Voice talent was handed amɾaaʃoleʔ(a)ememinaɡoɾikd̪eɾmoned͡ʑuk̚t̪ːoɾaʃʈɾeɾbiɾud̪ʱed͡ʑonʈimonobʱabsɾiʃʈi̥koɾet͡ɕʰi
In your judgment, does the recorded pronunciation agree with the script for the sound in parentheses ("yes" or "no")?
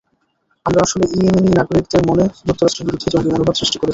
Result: no